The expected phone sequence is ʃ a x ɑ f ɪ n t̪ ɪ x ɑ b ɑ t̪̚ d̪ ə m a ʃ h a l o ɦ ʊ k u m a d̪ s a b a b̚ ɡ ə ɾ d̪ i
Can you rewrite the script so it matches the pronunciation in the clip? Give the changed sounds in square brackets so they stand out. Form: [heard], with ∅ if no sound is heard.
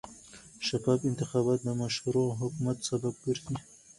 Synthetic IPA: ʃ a [f] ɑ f ɪ n t̪ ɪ x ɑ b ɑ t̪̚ d̪ ə m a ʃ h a [ɾ] o ɦ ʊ k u m a [t̪] s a b a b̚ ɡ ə ɾ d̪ i

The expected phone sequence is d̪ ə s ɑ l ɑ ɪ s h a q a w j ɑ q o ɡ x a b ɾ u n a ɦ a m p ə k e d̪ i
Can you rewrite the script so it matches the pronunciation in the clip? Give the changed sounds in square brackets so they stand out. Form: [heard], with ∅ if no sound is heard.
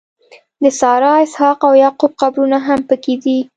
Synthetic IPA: d̪ ə s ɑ [ɾ] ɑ ɪ s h [ɑ] q a w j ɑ q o [b] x a b ɾ u n a ɦ a m p ə k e d̪ i

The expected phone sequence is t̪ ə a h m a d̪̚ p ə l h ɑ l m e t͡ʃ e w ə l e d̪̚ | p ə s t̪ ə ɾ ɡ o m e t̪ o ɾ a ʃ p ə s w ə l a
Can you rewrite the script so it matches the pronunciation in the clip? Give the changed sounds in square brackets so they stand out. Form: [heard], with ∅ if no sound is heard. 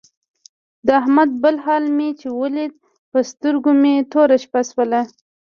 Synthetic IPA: [d̪] ə a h m a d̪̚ [b] ə l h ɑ l m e t͡ʃ e w ə l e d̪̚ | p ə s t̪ ə ɾ ɡ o m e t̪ o ɾ a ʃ p [a] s w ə l a

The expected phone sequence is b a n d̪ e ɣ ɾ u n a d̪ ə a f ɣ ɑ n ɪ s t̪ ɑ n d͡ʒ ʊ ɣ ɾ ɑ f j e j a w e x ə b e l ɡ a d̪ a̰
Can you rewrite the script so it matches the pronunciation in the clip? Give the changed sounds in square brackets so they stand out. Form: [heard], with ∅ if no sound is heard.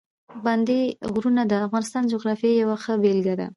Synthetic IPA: b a n d̪ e ɣ ɾ u n a d̪ ə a f ɣ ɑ n ɪ s t̪ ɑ n d͡ʒ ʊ ɣ ɾ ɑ f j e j a w [a] x ə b e l ɡ a d̪ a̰

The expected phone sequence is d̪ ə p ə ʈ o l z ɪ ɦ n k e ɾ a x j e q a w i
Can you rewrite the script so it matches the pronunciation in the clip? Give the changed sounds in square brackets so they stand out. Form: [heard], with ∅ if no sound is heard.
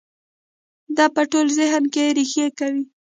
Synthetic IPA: d̪ [ɑ] p ə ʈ o l z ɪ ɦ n k e ɾ [i] x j e [k] a w i

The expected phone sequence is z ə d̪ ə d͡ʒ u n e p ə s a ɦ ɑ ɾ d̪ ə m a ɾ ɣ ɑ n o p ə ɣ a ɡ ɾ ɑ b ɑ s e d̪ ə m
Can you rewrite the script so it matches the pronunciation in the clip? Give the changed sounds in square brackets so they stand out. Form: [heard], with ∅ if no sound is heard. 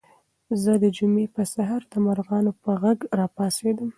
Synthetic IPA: z ə d̪ ə d͡ʒ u [m] e p ə s a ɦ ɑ ɾ d̪ ə m a ɾ ɣ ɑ n o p ə ɣ a ɡ ɾ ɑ [p] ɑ s e d̪ ə m

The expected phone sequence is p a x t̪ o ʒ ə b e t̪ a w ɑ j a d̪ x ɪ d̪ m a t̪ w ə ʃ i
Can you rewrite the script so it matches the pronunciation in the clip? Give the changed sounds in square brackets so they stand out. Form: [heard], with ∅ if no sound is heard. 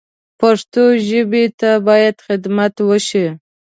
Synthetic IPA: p a [ʂ] t̪ o ʒ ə b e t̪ a [b] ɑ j a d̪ x ɪ d̪ m a t̪ w ə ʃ i

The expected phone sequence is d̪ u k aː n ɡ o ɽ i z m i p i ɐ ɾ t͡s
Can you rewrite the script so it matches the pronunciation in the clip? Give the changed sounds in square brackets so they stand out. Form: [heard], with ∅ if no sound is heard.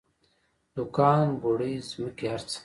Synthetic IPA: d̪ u k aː n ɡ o ɽ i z m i [k] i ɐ ɾ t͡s

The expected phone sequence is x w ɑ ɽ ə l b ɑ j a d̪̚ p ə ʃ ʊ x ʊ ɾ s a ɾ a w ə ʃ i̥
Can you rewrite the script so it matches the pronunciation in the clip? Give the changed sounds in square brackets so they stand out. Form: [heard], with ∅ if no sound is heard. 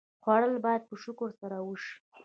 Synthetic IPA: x w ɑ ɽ ə l b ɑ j a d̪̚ p ə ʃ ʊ [k] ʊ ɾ s a ɾ a w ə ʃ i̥

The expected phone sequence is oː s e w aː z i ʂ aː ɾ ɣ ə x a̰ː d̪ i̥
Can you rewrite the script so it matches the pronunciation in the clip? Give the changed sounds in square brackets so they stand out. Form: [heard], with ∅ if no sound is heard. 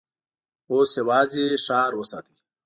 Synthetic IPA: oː s e w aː z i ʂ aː ɾ [w] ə [s] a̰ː [t̪] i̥

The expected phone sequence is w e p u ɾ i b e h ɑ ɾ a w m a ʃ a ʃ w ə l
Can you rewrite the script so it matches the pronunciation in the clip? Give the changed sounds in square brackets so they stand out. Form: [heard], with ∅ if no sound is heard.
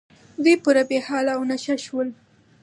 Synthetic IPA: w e p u ɾ [a] b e h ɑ [l] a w [n] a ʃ a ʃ w ə l

